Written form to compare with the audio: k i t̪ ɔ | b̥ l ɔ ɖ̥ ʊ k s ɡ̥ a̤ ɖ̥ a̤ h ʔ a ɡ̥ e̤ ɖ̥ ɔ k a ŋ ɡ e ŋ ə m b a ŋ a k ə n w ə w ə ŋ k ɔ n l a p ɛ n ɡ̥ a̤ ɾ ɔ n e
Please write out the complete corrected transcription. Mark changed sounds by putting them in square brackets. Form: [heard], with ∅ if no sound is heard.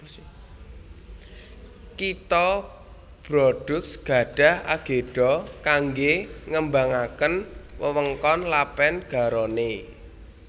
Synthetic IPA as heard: k i t̪ ɔ | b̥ [ɾ] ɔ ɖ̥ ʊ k s ɡ̥ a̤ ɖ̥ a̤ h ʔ a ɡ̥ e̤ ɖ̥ ɔ k a ŋ ɡ e ŋ ə m b a ŋ a k ə n w ə w ə ŋ k ɔ n l a p ɛ n ɡ̥ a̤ ɾ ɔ n e